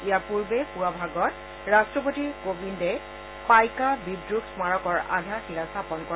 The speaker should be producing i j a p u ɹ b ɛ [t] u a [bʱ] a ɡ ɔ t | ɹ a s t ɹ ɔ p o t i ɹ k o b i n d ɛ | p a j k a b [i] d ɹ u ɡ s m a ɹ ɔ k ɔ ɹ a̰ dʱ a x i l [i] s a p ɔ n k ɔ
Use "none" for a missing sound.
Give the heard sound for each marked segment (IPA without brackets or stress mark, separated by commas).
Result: p, bʱ, i, a